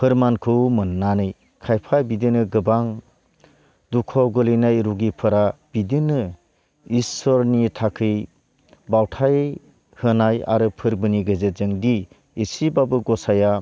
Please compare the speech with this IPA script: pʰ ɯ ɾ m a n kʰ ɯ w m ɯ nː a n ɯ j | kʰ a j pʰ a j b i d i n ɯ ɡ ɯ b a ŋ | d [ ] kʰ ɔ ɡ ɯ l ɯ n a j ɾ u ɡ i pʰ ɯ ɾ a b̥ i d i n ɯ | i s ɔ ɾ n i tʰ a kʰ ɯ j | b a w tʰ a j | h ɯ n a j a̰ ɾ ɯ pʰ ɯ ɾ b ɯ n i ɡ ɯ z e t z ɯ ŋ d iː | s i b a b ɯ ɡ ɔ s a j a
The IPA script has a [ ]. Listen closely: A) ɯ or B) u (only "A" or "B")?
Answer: B